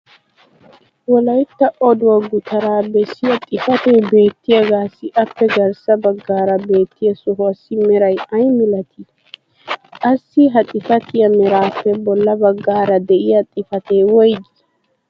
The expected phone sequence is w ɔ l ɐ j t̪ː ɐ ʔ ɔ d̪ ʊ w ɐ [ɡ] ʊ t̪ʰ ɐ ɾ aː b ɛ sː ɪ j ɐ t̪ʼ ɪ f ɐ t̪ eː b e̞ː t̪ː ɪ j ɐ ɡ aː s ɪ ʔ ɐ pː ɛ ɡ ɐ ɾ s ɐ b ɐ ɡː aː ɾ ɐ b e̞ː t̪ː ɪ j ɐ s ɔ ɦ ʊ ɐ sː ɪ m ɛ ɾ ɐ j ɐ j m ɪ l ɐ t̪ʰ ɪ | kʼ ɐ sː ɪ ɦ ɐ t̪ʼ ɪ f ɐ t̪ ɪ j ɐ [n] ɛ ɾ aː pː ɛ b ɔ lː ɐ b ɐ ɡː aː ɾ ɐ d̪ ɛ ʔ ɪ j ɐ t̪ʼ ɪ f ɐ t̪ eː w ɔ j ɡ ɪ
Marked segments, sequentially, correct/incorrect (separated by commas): correct, incorrect